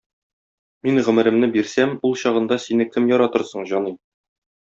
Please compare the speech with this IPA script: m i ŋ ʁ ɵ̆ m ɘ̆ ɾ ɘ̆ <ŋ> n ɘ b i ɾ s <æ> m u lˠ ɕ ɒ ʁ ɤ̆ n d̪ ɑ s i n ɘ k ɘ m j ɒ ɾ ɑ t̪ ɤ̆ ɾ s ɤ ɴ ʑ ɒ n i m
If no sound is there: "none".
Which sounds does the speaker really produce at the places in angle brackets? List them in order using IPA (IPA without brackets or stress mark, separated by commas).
m, æ